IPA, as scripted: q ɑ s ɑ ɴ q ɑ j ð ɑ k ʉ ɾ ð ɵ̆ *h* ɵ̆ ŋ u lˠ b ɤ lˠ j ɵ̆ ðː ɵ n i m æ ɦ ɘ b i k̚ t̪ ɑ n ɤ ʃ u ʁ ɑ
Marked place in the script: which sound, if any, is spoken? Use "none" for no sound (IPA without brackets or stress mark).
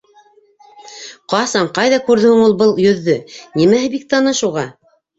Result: h